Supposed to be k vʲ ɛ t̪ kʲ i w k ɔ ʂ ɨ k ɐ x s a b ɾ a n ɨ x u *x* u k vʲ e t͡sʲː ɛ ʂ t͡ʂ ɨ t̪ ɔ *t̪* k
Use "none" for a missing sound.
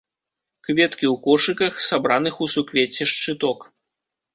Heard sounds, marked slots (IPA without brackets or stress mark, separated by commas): s, none